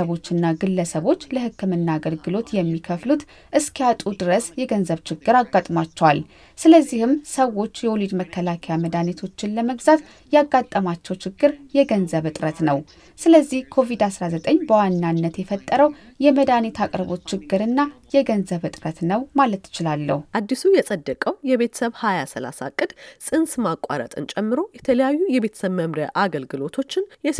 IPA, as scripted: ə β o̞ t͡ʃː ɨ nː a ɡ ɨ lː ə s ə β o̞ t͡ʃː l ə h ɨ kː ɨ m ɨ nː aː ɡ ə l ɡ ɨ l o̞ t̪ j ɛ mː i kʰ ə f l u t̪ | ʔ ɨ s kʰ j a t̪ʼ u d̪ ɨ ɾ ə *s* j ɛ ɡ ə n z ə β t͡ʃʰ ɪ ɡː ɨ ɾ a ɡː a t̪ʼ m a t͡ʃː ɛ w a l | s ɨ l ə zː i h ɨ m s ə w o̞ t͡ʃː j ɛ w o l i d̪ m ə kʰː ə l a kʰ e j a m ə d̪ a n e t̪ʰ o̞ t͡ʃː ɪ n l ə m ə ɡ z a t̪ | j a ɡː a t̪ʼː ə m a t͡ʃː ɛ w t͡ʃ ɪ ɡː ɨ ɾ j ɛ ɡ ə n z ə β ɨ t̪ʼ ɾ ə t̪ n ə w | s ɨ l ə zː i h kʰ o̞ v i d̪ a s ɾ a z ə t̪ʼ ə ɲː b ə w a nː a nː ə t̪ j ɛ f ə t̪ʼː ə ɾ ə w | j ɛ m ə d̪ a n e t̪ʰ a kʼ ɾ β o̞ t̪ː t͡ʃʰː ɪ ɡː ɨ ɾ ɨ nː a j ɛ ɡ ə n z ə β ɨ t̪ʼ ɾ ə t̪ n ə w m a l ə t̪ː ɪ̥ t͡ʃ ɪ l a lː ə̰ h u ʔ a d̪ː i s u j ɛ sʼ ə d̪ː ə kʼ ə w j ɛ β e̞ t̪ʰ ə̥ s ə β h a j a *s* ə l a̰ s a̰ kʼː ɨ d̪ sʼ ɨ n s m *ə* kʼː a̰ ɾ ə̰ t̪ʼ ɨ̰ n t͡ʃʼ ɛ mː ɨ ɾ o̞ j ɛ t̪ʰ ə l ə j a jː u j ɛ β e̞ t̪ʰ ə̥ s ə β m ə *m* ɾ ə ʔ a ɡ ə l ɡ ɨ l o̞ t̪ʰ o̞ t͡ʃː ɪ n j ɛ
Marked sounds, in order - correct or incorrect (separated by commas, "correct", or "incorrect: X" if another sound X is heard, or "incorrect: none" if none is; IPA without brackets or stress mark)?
correct, correct, incorrect: a, correct